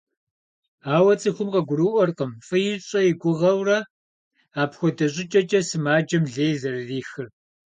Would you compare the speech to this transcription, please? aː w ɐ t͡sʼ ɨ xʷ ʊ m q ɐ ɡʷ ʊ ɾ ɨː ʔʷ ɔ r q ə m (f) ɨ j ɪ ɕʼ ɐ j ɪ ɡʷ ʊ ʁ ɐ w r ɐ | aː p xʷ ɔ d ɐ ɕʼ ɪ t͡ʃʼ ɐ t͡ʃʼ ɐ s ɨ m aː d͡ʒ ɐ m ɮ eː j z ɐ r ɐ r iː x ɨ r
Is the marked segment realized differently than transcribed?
no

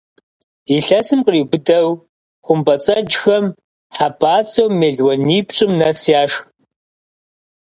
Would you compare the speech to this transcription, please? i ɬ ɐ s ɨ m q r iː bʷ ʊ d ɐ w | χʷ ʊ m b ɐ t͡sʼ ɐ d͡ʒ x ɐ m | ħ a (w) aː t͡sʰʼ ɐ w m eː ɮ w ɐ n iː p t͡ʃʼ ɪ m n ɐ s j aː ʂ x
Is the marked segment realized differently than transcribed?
yes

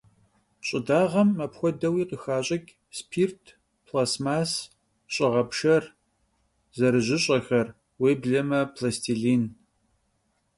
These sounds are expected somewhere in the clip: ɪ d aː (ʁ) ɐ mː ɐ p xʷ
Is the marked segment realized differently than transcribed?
no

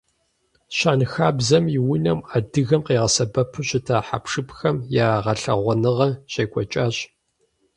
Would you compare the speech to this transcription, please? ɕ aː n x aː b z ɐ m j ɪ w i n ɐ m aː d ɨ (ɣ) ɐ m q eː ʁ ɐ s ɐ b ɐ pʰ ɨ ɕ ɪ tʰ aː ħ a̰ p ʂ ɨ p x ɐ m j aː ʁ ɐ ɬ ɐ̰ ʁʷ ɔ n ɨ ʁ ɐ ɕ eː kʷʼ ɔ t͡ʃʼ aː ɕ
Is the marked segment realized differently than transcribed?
no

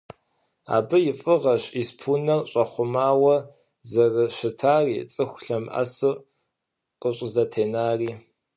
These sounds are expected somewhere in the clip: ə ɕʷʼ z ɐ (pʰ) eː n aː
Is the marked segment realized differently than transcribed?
yes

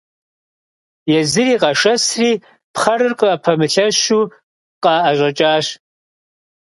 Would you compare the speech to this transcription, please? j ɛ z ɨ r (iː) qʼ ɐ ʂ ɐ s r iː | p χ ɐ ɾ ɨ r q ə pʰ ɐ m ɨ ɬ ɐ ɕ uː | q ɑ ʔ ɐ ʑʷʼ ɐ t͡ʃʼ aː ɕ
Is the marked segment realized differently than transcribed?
no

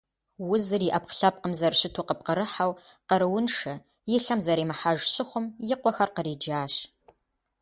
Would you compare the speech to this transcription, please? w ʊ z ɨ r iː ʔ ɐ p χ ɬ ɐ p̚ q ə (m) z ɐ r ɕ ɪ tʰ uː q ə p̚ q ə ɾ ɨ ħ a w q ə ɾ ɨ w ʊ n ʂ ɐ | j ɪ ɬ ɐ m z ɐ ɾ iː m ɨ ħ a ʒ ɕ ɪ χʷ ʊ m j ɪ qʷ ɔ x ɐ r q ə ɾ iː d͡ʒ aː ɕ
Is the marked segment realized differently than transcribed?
no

